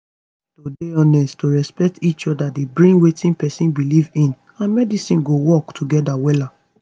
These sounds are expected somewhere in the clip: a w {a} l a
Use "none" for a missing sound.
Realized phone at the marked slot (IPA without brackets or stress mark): ɛ